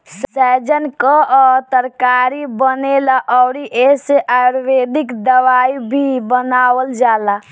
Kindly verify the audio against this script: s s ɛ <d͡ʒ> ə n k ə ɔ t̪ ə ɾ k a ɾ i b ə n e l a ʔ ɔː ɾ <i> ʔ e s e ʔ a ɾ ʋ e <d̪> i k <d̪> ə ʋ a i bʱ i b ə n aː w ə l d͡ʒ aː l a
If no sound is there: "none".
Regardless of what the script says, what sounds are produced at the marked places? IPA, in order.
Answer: d͡ʒ, i, d̪, d̪

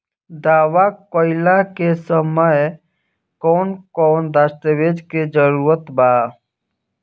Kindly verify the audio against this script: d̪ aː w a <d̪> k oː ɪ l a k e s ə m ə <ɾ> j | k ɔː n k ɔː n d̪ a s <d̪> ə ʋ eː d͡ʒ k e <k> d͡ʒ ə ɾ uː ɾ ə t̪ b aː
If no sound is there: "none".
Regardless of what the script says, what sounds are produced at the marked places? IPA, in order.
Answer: none, none, t̪, none

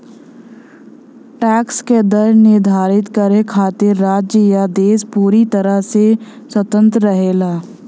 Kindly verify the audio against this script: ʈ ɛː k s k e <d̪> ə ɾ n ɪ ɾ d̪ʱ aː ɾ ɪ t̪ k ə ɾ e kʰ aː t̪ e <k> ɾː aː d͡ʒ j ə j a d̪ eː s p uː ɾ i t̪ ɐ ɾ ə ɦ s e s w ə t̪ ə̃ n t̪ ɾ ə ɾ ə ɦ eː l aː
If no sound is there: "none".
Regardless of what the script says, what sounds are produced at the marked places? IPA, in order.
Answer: d̪, none

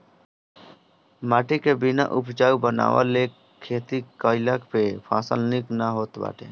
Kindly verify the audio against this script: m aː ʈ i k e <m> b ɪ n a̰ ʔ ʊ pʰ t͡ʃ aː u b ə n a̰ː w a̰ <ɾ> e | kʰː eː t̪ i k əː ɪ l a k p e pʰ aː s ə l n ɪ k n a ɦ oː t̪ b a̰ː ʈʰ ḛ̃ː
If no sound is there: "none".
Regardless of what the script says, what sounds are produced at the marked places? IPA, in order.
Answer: none, l

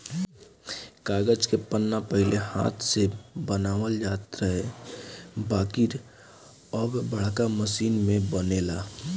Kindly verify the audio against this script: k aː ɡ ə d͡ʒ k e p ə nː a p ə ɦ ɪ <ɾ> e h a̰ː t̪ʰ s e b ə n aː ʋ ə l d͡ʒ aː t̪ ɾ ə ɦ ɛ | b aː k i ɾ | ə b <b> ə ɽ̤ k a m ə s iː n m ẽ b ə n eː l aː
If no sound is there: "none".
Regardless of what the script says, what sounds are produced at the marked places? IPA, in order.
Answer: l, b

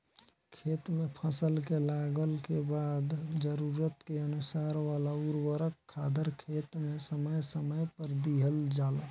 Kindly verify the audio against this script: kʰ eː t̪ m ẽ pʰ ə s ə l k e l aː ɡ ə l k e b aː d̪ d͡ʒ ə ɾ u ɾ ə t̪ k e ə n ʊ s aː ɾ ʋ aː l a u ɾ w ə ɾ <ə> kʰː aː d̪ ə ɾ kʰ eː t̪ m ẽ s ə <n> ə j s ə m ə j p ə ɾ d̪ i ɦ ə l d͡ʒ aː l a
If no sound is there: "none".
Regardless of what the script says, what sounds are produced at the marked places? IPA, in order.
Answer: ə, m

